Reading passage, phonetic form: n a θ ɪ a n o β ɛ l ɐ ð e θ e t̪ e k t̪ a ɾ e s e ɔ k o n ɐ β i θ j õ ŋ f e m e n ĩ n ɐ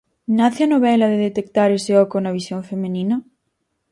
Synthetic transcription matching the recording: n a θ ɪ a n o β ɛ l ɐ ð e ð e t̪ e k t̪ a ɾ e s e ɔ k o n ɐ β i s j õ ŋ f e m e n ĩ n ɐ